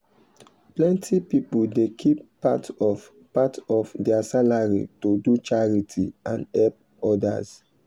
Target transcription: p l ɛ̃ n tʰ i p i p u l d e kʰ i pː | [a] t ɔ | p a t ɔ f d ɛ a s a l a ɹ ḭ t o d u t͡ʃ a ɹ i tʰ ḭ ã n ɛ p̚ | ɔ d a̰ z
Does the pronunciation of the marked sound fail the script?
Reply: no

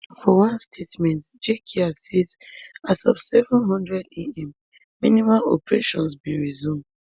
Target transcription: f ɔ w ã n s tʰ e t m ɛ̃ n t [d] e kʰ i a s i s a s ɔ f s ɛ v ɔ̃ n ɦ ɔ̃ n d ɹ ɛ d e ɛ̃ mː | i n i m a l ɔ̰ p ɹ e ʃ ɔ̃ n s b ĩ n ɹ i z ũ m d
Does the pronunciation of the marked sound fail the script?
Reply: yes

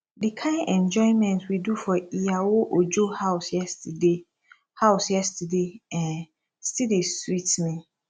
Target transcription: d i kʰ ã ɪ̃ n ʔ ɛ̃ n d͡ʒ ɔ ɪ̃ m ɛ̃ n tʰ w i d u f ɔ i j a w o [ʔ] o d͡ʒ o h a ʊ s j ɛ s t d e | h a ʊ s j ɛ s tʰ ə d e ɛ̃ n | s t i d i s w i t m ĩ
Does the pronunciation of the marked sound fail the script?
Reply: no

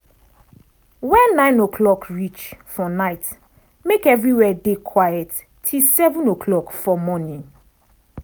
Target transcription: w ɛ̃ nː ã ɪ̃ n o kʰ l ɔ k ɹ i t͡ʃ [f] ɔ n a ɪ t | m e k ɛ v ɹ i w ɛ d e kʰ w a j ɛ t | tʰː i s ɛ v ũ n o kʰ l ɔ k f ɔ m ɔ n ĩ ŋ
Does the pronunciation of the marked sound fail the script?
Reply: no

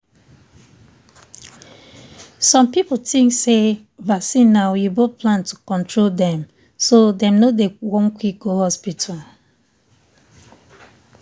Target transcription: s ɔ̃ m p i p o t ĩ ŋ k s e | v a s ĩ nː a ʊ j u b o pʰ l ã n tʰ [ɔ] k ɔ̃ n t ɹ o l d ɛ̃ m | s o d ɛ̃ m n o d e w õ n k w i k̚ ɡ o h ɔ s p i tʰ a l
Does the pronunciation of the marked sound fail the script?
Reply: yes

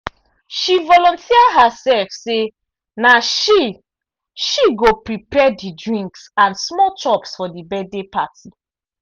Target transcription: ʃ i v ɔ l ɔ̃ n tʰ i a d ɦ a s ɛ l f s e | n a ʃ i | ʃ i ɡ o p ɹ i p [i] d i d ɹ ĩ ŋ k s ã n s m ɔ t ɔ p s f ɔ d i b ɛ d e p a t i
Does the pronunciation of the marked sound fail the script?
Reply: yes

